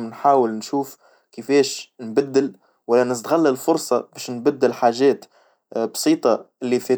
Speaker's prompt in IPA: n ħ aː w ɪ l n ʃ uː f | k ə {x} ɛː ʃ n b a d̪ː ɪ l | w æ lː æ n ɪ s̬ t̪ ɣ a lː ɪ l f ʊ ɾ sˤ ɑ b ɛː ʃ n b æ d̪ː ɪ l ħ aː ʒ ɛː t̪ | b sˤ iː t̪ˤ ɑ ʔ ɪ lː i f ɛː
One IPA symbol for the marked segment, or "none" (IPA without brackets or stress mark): f